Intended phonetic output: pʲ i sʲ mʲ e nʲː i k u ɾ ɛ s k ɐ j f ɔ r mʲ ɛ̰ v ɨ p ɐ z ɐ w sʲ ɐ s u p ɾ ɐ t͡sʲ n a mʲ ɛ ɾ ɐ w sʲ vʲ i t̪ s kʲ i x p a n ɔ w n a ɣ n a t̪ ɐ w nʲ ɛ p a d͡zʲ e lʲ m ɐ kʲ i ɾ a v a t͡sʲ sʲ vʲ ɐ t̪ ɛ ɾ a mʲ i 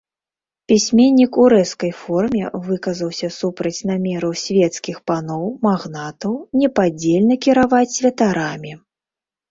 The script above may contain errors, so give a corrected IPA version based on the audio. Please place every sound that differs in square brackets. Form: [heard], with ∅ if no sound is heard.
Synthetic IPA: pʲ i sʲ mʲ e nʲː i k u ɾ ɛ s k ɐ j f ɔ r mʲ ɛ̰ v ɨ [k] ɐ z ɐ w sʲ ɐ s u p ɾ ɐ t͡sʲ n a mʲ ɛ ɾ ɐ w sʲ vʲ [ɛ] t̪ s kʲ i x p a n ɔ w [m] a ɣ n a t̪ ɐ w nʲ ɛ p a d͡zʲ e lʲ [n] ɐ kʲ i ɾ a v a t͡sʲ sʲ vʲ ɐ t̪ [a] ɾ a mʲ i